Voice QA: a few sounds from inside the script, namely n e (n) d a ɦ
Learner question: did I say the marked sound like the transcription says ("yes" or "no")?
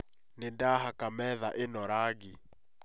yes